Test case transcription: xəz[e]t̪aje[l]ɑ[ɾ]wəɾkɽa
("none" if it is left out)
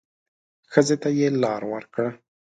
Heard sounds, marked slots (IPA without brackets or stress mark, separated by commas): e, l, ɾ